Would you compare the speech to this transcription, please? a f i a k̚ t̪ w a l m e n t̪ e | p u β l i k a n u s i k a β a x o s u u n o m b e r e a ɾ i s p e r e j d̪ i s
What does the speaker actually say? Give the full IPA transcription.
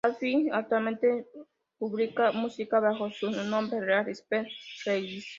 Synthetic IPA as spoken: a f i a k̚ t̪ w a l m e n t̪ e | p u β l i k a m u s i k a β a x o s u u n o m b e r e a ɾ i s p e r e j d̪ i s